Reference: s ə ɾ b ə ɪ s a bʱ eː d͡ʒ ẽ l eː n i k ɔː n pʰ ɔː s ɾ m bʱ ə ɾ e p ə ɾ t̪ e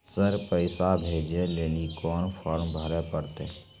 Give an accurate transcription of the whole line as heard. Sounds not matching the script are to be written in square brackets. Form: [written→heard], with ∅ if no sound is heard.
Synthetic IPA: s ə ɾ [b→p] ə ɪ s a bʱ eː d͡ʒ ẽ l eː n i k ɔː n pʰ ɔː [s→∅] ɾ m bʱ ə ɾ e p ə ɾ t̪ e